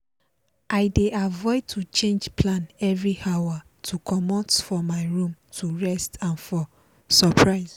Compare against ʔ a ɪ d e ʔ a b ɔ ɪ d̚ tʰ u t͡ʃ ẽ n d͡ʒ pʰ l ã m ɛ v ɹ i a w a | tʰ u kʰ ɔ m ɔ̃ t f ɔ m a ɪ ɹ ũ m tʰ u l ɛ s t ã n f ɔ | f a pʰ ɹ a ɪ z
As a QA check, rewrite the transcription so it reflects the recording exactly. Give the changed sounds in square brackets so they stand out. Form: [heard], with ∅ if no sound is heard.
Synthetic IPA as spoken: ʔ a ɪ d e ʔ a [v] ɔ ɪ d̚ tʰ u t͡ʃ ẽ n d͡ʒ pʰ l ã [n] ɛ v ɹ i a w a | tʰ u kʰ ɔ m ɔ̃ t f ɔ m a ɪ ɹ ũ m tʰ u [ɹ] ɛ s t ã n f ɔ | [s] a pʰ ɹ a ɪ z